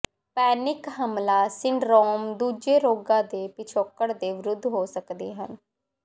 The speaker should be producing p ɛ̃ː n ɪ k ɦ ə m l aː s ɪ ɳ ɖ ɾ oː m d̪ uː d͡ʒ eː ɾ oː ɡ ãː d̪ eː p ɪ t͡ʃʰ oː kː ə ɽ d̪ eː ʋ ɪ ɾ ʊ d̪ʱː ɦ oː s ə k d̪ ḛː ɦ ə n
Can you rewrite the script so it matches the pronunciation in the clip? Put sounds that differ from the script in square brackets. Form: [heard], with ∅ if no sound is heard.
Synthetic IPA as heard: p [ɛː] n ɪ k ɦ ə m l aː s ɪ ɳ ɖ ɾ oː m d̪ uː d͡ʒ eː ɾ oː ɡ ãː d̪ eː p ɪ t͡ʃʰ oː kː ə ɽ d̪ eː ʋ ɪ ɾ ʊ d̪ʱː ɦ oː s ə k d̪ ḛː ɦ ə n